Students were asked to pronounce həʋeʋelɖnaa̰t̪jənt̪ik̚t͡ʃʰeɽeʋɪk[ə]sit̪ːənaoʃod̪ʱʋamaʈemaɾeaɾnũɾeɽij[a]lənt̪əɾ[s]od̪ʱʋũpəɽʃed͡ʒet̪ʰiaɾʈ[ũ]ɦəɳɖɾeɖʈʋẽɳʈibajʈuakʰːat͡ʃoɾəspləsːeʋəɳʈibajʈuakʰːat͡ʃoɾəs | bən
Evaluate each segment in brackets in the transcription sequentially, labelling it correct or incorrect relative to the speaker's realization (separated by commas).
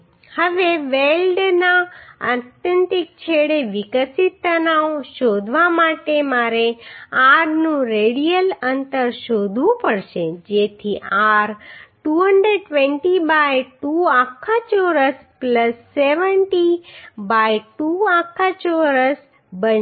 correct, incorrect, incorrect, incorrect